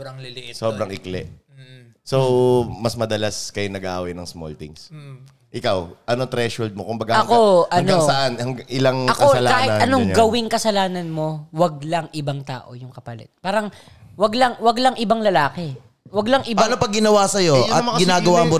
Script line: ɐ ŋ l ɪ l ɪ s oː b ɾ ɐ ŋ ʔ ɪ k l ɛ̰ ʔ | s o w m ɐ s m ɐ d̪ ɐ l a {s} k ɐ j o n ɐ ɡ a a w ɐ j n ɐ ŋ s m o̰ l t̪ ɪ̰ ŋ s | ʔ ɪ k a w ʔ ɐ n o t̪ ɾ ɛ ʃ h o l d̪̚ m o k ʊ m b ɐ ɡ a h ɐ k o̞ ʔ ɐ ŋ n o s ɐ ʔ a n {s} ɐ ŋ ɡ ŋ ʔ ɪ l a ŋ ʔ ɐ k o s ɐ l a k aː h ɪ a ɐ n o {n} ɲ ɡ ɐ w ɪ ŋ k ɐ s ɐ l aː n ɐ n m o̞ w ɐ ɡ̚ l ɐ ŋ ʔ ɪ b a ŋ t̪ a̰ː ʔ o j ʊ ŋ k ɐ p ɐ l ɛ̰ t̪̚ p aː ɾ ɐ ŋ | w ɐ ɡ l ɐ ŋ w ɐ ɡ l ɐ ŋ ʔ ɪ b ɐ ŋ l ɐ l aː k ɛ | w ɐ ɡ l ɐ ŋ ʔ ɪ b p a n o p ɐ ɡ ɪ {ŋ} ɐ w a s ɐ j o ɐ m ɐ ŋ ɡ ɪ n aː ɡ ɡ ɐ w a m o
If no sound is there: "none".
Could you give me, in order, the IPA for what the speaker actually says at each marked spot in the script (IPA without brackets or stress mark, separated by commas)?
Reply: s, h, ŋ, n